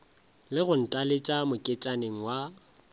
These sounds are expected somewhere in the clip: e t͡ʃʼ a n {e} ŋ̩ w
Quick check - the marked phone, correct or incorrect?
correct